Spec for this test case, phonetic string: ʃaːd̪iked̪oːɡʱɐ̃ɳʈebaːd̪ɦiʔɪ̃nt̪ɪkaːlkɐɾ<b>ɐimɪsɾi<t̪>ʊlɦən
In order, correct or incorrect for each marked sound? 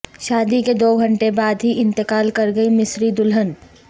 incorrect: ɡ, incorrect: d̪

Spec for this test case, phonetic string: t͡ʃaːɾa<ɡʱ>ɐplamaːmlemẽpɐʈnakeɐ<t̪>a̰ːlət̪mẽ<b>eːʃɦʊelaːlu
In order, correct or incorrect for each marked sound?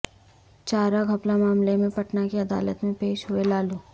correct, incorrect: d̪, incorrect: p

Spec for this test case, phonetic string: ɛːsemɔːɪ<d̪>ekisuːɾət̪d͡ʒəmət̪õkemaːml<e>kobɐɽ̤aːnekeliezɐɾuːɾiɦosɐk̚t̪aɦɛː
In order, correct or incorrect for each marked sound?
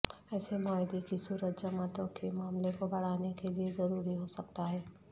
correct, correct

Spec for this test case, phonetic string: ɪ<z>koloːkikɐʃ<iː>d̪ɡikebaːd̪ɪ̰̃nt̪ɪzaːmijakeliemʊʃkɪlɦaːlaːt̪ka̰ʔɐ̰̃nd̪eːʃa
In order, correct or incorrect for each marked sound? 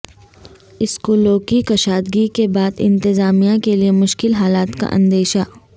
incorrect: s, incorrect: aː

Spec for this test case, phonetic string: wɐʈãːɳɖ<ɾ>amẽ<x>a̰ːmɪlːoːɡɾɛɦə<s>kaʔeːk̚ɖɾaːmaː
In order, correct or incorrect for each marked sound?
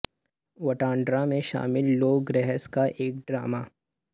correct, incorrect: ʃ, correct

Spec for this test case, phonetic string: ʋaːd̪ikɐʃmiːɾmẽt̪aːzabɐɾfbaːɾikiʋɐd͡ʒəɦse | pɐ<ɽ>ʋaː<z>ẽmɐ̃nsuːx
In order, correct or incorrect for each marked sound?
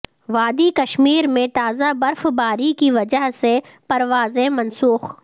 incorrect: ɾ, correct

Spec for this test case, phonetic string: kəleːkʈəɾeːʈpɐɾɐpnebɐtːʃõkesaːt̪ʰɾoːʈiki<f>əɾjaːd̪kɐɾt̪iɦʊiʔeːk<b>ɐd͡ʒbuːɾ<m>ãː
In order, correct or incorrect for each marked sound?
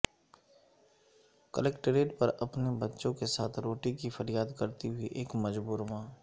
correct, incorrect: m, correct

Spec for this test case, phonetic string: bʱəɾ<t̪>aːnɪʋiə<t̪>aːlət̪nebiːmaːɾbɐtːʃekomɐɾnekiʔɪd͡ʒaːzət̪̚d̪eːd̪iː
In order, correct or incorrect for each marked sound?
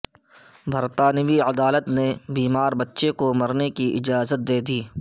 correct, incorrect: d̪

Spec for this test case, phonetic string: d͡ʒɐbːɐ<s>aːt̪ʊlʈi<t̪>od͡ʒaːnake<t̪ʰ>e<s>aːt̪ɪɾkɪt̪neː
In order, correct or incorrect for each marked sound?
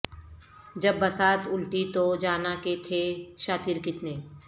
correct, correct, correct, incorrect: ʃ

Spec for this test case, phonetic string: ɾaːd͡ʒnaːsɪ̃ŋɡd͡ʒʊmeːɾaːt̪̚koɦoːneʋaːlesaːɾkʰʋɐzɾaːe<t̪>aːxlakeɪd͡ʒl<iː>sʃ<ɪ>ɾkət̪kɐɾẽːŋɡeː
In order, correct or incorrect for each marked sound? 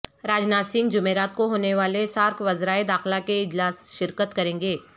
incorrect: d̪, incorrect: aː, correct

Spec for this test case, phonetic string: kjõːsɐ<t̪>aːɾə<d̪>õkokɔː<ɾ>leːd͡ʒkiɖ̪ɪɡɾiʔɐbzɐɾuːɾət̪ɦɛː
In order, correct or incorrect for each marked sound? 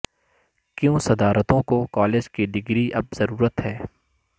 incorrect: d̪, incorrect: t̪, incorrect: none

